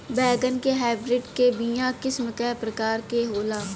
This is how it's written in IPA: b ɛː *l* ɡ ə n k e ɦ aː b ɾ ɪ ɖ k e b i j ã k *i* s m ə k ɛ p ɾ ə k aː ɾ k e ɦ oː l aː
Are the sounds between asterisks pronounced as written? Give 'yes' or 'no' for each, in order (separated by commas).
no, no